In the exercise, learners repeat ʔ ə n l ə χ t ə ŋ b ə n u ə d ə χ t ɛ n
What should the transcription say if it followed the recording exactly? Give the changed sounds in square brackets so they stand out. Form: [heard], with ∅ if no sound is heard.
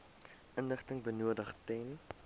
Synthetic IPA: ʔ ə n l ə χ t ə ŋ b ə n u ə d ə χ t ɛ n